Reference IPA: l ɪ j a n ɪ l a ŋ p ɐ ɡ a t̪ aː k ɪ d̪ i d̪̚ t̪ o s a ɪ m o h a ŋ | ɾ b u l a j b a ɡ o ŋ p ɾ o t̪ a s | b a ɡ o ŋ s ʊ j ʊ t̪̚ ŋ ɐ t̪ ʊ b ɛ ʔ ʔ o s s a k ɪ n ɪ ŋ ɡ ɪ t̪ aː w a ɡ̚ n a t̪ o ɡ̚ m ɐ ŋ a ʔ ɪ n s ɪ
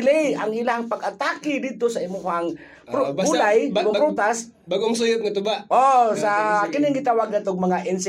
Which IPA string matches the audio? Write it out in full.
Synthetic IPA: l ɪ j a ŋ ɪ l a ŋ p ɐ ɡ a t̪ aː k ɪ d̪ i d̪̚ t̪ o s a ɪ m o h a ŋ | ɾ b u l a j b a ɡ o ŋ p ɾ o t̪ a s | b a ɡ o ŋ s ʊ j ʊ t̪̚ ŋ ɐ t̪ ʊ b a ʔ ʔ o s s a k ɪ n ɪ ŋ ɡ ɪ t̪ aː w a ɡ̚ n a t̪ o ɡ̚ m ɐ ŋ a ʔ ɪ n s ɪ